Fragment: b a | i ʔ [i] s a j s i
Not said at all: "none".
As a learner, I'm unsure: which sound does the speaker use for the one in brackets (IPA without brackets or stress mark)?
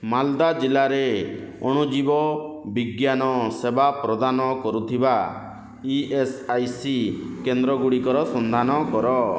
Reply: e